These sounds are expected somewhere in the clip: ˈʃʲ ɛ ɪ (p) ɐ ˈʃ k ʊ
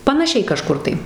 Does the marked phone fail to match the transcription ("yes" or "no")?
yes